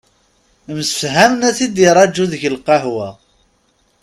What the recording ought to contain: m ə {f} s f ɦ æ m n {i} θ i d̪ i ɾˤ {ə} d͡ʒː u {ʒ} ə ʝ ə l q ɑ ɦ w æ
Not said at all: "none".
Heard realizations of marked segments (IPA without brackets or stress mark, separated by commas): none, æ, ɑ, ð